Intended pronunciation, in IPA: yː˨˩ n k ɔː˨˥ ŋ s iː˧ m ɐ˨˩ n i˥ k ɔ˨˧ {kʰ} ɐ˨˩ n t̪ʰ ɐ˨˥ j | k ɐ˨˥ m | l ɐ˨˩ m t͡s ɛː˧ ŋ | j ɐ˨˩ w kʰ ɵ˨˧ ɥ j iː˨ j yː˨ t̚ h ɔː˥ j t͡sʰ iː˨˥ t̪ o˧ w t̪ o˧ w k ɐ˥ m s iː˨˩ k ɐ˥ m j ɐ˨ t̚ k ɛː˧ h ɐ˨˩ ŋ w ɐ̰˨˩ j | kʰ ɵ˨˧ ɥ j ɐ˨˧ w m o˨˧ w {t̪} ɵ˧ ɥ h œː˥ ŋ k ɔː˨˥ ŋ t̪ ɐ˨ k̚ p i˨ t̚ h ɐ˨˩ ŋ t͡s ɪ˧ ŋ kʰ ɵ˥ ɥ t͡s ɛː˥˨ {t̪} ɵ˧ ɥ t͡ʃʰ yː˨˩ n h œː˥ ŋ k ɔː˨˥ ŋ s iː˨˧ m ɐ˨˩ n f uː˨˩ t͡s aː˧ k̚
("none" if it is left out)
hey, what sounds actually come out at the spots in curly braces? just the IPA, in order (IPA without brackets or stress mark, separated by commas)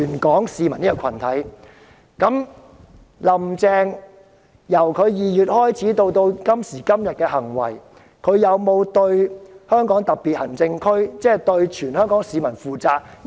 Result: kʰ, t̪, t̪